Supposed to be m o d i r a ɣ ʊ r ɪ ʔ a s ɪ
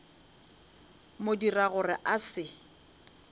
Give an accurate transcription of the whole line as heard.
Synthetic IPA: m o d i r a ɣ ʊ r ɪ ʔ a s ɪ